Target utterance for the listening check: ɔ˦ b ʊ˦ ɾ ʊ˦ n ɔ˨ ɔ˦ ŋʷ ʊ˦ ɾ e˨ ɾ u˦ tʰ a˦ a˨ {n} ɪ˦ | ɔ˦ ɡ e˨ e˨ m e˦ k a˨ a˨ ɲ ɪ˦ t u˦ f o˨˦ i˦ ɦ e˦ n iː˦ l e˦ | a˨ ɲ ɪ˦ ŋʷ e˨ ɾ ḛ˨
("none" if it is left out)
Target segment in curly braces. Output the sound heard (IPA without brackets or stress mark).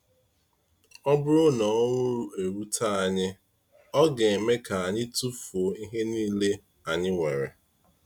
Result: ɲ